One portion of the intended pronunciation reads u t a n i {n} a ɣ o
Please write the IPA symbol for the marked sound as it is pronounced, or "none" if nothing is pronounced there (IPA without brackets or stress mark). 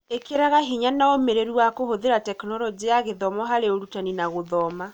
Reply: n